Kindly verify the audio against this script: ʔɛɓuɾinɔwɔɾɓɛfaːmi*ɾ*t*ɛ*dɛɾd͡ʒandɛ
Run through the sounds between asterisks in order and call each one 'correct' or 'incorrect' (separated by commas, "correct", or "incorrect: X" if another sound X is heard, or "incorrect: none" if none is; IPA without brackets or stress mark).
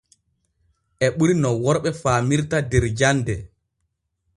correct, incorrect: a